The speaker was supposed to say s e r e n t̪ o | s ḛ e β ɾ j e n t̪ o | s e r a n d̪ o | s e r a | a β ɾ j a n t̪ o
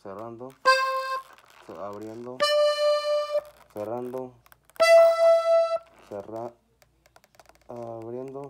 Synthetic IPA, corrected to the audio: s e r a n d̪ o | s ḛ a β ɾ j e n d̪ o | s e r a n d̪ o | s e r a | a β ɾ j e n d̪ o